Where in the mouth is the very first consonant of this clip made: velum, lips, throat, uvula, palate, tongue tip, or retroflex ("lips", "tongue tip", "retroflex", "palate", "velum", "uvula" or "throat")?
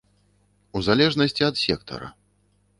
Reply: tongue tip